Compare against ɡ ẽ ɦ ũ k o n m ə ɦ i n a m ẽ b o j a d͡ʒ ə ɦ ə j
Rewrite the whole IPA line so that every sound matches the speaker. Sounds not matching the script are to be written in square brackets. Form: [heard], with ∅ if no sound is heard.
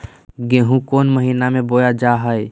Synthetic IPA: ɡ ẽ ɦ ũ k o n m ə ɦ i n a m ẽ b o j a d͡ʒ [a] ɦ ə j